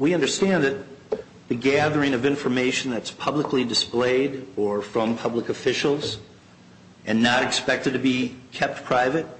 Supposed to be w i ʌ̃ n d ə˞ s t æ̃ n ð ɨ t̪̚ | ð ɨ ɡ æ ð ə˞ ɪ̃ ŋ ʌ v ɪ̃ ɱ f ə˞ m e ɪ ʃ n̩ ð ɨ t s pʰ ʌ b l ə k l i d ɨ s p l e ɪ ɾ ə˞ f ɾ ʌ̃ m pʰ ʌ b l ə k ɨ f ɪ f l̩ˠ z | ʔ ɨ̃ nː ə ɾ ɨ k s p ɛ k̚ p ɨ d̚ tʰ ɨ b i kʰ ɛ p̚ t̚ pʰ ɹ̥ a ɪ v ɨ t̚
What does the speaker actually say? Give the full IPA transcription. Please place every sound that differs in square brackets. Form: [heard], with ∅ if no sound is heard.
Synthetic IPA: w i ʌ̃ n d ə˞ s t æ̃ n ð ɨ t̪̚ | ð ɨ ɡ æ ð ə˞ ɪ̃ ŋ ʌ v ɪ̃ ɱ f ə˞ m e ɪ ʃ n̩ ð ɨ t s pʰ ʌ b l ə k l i d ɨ s p l e ɪ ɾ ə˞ f [ɹ] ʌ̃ m pʰ ʌ b l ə k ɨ f ɪ [ʃ] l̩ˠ z | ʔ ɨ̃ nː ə ɾ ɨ k s p ɛ k̚ [t] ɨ d̚ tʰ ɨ b i kʰ ɛ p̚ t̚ pʰ ɹ̥ a ɪ v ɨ t̚